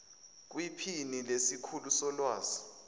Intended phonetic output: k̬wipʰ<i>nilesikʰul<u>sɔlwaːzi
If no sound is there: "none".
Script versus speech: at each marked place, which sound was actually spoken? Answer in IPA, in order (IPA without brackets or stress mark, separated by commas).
i, u